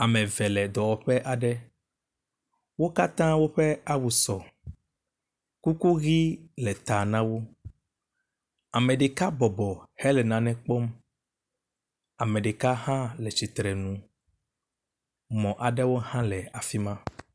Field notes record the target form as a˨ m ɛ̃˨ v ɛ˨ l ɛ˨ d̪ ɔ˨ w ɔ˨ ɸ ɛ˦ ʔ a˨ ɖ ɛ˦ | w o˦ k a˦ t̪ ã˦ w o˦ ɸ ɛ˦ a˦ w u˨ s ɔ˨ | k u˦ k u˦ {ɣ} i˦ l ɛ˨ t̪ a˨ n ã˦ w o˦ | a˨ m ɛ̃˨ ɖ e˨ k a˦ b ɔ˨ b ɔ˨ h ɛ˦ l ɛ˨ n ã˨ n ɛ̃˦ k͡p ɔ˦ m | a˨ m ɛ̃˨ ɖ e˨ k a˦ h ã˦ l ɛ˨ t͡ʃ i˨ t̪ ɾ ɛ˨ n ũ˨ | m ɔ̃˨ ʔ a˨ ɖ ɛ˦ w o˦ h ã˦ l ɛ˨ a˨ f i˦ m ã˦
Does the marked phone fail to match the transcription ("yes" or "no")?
no